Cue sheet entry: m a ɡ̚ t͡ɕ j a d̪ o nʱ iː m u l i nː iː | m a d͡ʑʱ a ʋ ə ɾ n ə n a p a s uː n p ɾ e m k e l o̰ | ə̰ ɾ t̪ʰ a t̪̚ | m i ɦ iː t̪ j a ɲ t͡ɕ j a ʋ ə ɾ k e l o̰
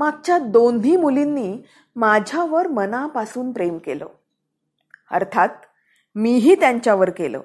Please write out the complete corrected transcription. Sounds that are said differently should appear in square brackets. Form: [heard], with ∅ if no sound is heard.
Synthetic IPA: m a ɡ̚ t͡ɕ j a d̪ o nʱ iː m u l i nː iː | m a d͡ʑʱ a ʋ ə ɾ [m] ə n a p a s uː n p ɾ e m k e l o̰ | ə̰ ɾ t̪ʰ a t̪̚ | m i ɦ iː t̪ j a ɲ t͡ɕ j a ʋ ə ɾ k e l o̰